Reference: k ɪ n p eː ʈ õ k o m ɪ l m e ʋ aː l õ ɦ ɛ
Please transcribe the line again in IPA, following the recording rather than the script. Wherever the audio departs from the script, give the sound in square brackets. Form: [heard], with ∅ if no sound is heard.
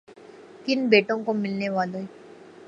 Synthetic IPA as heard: k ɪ n [b] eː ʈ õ k o m ɪ l [n] e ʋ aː l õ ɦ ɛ